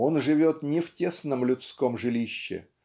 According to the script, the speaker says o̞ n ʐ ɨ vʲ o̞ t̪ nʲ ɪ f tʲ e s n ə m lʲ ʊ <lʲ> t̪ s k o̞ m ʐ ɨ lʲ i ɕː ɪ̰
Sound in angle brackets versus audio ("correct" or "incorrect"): incorrect